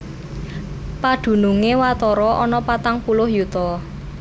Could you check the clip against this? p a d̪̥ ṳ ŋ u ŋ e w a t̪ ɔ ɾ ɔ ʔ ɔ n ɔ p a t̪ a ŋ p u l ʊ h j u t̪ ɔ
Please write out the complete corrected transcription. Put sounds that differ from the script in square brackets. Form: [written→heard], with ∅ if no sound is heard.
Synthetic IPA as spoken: p a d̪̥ ṳ [ŋ→n] u ŋ e w a t̪ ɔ ɾ ɔ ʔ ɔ n ɔ p a t̪ a ŋ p u l ʊ h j u t̪ ɔ

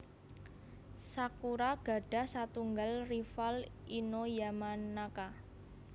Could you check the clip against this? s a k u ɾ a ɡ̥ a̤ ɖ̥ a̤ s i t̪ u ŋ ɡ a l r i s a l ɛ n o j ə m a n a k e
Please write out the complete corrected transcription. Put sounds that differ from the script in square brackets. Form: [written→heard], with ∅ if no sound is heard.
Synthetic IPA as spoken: s a k u ɾ a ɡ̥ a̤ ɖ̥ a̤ s [i→a] t̪ u ŋ ɡ a l r i [s→f] a l [ɛ→i] n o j [ə→a] m a n a k [e→a]

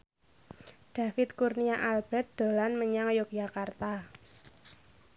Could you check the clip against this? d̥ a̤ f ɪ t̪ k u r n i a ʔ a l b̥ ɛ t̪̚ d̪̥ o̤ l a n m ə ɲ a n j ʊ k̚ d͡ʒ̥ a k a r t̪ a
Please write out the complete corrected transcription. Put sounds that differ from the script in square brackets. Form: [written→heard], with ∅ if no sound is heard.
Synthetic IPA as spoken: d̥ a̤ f ɪ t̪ k u r n i a ʔ a l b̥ ɛ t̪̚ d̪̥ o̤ l a n m ə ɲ a [n→ŋ] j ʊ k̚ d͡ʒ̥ a k a r t̪ a

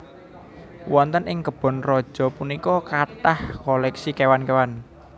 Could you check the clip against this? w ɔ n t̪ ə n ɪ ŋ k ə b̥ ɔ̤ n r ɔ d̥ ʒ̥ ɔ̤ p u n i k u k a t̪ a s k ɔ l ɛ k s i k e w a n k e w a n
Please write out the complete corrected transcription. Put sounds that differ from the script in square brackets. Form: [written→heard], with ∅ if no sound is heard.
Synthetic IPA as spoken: w ɔ n t̪ ə n ɪ ŋ k ə b̥ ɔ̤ n r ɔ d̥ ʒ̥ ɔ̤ p u n i k [u→ɔ] k a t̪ a [s→h] k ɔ l ɛ k s i k e w a n k e w a n

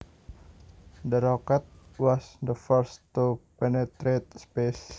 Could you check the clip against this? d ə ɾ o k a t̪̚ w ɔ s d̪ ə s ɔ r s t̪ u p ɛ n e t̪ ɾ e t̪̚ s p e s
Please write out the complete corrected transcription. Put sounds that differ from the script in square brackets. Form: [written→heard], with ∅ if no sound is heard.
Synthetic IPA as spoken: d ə ɾ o k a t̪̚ w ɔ s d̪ ə [s→f] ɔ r s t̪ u p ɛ n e t̪ ɾ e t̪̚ s p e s

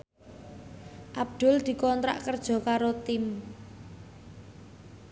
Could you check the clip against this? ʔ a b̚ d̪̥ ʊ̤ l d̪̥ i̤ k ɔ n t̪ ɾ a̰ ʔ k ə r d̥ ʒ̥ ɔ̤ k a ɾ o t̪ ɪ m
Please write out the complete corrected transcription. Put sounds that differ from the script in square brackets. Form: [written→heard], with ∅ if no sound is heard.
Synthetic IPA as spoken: ʔ a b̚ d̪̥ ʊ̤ l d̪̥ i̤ k ɔ n t̪ ɾ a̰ ʔ k ə r d̥ ʒ̥ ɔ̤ k a ɾ o t̪ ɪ m

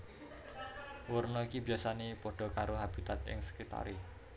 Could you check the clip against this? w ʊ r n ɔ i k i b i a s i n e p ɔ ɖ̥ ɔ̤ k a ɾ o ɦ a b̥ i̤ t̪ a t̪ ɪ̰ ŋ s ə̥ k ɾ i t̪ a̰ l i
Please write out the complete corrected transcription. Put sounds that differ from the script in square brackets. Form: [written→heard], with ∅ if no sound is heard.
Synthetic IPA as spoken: w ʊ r n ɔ i k i b i a s [i→a] n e p ɔ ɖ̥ ɔ̤ k a ɾ o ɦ a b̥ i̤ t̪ a t̪ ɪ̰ ŋ s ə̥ k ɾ i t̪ a̰ [l→ɾ] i

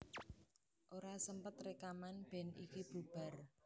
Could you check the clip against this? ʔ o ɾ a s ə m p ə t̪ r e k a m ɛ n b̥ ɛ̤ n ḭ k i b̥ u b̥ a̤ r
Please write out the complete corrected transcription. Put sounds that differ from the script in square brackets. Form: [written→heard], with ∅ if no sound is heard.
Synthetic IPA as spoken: ʔ o ɾ a s ə m p ə t̪ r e k a m [ɛ→a] n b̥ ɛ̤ n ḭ k i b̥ u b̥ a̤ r

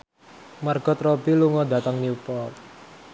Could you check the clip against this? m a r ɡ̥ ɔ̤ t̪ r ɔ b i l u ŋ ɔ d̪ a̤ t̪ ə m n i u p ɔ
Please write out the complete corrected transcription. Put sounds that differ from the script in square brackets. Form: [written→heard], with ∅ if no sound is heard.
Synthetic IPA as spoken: m a r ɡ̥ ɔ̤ t̪ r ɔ b i l u ŋ ɔ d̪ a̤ t̪ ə [m→ŋ] n i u p ɔ

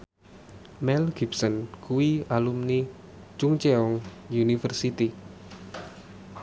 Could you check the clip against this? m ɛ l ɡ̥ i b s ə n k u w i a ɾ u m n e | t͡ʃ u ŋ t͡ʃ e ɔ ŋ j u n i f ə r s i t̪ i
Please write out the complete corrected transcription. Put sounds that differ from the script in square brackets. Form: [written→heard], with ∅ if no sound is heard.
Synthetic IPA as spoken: m ɛ l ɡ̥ i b s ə n k u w i a [ɾ→l] u m n [e→i] | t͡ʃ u ŋ t͡ʃ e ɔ ŋ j u n i f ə r s i t̪ i

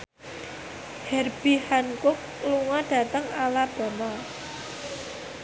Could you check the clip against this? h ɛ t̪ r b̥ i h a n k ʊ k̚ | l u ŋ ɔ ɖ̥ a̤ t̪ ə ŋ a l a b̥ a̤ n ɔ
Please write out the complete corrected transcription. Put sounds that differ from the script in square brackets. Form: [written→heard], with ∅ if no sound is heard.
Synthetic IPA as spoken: h ɛ [t̪→∅] r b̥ i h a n k ʊ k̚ | l u ŋ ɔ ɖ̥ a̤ t̪ ə ŋ a l a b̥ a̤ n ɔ

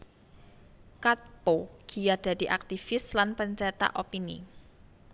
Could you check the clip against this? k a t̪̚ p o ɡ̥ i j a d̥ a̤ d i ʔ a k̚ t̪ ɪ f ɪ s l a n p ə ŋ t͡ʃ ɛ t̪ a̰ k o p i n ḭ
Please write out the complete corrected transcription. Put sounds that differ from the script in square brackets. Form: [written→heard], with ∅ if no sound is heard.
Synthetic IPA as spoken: k a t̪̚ p o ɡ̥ i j a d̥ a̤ d i ʔ a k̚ t̪ [ɪ→i] f ɪ s l a n p ə [ŋ→ɲ] t͡ʃ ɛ t̪ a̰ [k→ʔ] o p i n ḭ

